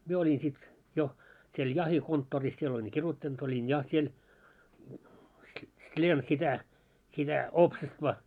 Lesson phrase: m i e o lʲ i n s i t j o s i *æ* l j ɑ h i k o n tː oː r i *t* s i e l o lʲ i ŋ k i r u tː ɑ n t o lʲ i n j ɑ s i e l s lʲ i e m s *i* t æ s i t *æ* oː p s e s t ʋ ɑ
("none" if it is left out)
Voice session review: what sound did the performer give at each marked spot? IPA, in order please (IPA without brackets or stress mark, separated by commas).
e, s, i, æ